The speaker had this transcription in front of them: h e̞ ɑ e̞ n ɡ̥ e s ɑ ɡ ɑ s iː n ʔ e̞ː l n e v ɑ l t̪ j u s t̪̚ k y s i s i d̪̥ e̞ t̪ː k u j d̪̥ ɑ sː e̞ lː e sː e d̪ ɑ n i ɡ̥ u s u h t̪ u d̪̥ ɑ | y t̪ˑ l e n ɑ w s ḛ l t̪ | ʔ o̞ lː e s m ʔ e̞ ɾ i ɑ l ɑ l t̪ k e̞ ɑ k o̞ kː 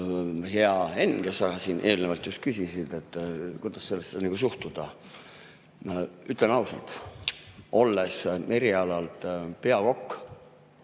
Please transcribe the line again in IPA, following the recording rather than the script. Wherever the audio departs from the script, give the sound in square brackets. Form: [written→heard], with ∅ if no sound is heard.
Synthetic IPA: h e̞ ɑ e̞ n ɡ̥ e s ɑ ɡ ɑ s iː n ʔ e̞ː l n e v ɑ l t̪ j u s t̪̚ k y s i s i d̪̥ e̞ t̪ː k u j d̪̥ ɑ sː e̞ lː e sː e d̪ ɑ n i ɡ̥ u s u h t̪ u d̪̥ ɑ | y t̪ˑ l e n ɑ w s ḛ l t̪ | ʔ o̞ lː e s m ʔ e̞ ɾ i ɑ l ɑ l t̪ [k→p] e̞ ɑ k o̞ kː